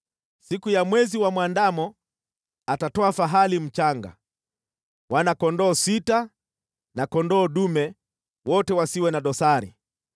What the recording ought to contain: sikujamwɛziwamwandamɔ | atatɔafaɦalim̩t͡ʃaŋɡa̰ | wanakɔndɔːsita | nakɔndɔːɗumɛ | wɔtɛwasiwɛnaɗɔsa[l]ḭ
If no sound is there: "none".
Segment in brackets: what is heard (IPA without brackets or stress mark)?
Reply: ɾ